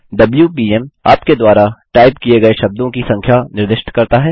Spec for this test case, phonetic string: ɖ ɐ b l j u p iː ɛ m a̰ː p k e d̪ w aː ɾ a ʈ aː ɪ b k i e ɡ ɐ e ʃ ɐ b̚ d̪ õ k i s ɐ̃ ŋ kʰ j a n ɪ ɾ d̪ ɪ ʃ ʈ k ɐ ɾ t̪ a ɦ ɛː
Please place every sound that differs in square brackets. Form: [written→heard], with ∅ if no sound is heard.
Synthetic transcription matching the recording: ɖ ɐ b l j u p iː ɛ m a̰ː p k e d̪ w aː ɾ a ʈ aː ɪ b k i e ɡ ɐ e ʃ ɐ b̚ d̪ õ k i s ɐ̃ ŋ kʰ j a n ɪ ɾ d̪ ɪ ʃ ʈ k ɐ ɾ t̪ a ɦ ɛː